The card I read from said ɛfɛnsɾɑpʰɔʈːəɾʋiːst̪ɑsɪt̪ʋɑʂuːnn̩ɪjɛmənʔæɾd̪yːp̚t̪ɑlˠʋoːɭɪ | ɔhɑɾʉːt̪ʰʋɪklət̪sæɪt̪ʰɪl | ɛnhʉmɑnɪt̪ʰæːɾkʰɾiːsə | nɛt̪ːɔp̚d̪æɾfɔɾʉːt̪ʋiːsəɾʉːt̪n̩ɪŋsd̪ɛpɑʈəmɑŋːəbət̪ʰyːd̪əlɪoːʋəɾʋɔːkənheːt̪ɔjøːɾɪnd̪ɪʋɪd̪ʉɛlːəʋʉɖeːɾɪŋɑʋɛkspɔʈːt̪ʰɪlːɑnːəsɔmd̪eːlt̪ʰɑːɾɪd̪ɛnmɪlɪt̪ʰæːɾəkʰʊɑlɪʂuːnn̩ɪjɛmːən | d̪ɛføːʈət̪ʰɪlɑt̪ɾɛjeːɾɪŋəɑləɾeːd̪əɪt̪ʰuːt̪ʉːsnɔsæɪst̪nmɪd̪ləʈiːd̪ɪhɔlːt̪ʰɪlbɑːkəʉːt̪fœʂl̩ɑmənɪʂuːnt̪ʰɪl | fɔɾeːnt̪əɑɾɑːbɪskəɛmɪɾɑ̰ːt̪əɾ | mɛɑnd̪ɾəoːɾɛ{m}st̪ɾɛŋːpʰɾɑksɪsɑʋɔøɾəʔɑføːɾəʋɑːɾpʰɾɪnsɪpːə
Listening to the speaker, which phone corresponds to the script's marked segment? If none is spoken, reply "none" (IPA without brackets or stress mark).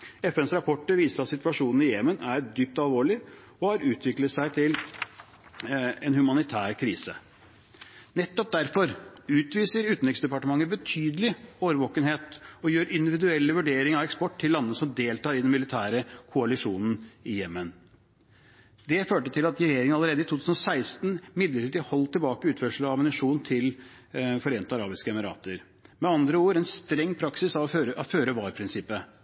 n